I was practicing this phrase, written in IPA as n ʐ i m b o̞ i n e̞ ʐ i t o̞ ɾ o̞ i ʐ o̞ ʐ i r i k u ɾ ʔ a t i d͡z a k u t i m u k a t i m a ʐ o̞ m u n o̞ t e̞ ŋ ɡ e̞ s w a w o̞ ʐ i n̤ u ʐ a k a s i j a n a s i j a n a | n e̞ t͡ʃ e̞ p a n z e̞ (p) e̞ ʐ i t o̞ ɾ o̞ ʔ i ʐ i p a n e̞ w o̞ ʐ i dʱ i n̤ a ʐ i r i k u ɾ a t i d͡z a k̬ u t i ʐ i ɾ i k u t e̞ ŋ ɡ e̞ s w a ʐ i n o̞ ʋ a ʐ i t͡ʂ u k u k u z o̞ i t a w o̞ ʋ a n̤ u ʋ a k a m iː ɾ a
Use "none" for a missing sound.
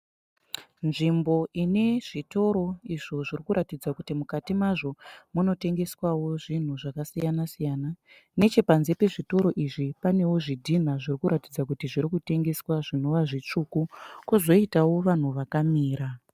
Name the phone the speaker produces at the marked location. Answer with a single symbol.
p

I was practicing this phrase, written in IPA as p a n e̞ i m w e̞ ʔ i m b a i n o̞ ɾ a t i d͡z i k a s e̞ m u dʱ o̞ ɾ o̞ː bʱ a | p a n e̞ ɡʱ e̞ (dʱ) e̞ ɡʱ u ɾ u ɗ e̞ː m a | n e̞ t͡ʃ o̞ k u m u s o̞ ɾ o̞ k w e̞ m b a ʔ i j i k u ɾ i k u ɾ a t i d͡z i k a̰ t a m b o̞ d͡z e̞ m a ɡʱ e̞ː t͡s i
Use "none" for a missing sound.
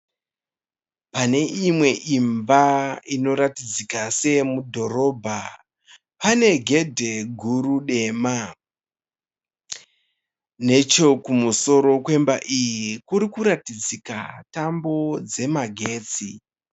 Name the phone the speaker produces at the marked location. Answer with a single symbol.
dʱ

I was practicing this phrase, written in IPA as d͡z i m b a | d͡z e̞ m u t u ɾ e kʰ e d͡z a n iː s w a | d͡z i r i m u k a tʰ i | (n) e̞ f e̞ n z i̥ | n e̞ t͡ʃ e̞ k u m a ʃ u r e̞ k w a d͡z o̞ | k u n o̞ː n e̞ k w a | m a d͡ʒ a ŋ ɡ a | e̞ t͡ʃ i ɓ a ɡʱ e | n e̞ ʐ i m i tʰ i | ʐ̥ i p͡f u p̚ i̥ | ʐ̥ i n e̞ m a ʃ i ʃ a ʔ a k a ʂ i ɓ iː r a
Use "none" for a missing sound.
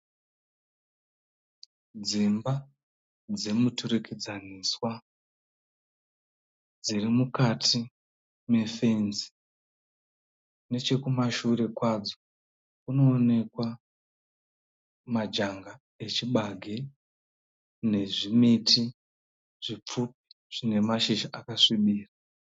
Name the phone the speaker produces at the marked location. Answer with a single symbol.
m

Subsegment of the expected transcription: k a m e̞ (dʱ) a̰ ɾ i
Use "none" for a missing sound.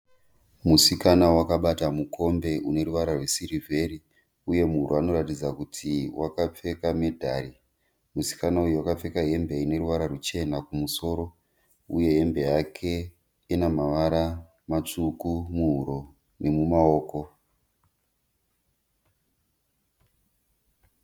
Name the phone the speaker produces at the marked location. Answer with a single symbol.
dʱ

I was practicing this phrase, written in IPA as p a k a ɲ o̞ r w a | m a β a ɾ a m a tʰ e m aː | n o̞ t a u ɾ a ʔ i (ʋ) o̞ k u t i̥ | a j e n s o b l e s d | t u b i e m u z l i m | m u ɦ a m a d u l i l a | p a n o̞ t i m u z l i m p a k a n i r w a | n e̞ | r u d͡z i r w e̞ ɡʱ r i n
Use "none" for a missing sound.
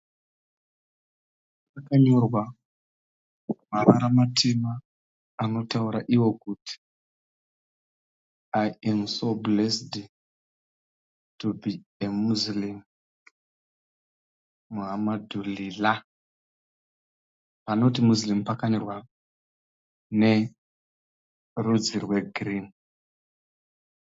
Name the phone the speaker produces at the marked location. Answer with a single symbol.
w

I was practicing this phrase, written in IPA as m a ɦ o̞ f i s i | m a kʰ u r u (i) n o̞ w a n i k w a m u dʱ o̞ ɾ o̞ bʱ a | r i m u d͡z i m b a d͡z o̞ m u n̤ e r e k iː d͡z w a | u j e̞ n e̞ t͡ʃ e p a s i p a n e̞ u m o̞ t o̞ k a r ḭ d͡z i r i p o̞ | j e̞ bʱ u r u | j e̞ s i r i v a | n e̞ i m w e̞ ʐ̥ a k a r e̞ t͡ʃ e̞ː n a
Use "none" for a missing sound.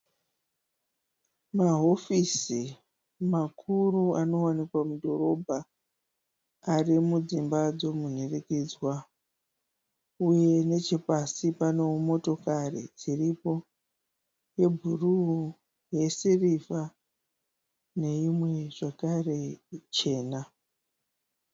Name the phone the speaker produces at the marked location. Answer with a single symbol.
a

